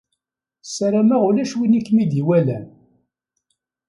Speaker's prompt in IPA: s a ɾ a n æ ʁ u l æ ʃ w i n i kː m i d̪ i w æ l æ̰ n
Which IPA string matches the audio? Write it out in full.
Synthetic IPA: s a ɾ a m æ ʁ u l æ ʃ w i n i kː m i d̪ i w æ l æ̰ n